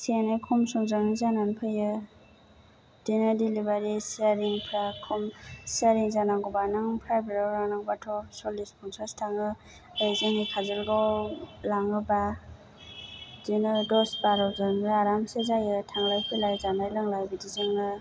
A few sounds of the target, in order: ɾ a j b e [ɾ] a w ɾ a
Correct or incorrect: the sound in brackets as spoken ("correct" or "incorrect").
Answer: correct